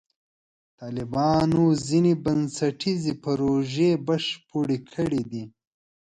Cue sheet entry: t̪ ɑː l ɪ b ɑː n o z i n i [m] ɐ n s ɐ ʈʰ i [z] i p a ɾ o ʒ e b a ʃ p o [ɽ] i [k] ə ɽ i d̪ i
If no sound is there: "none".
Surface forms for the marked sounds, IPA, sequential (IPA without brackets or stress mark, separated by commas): b, z, ɽ, kʰ